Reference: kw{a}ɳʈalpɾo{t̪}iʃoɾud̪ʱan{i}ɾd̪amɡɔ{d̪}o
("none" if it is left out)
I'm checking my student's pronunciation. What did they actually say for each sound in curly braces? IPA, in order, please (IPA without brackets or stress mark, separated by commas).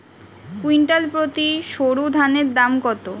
i, t̪, e, t̪